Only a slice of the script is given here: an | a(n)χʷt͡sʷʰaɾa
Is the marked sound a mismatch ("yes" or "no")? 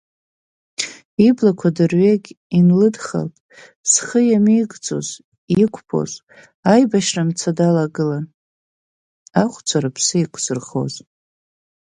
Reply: yes